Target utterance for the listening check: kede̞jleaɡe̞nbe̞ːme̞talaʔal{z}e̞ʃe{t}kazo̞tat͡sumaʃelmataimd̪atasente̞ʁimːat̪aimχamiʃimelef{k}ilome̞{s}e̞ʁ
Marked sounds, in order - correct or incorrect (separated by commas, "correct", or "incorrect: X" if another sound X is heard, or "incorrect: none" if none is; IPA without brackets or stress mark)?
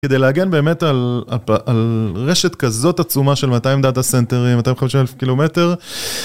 incorrect: ʁ, correct, correct, incorrect: t